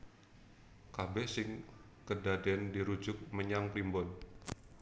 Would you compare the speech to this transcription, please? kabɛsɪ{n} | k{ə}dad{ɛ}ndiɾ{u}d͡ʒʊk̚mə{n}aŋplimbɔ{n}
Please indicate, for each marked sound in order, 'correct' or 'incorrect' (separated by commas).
incorrect, correct, correct, correct, incorrect, correct